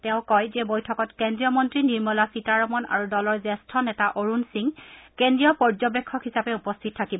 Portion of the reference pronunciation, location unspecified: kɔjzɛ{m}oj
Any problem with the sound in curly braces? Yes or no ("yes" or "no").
yes